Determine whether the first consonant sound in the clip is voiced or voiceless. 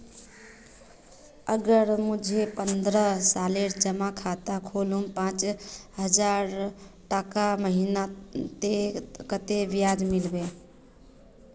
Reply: voiced